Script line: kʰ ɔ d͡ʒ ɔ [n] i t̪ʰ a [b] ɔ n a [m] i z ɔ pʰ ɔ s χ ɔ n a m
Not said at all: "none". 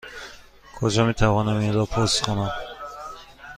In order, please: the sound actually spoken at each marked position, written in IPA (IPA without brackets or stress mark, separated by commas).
m, v, m